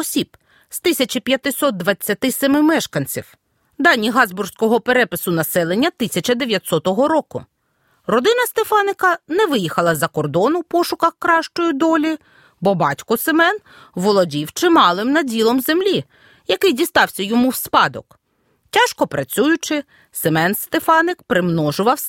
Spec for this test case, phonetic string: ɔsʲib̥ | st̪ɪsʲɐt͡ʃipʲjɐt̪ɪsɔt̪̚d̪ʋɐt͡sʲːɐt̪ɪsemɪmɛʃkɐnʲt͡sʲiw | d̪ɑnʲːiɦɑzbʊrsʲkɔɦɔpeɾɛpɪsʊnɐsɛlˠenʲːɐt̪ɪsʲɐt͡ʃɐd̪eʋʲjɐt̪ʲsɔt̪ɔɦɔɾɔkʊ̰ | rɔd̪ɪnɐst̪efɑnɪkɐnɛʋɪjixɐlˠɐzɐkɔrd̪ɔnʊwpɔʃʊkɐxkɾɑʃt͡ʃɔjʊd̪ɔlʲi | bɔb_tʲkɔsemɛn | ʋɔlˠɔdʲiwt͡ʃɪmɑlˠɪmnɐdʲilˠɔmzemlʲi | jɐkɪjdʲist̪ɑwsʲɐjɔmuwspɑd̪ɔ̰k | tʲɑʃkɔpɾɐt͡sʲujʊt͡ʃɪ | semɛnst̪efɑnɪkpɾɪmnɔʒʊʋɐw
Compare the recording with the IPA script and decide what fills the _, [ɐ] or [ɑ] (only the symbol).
ɑ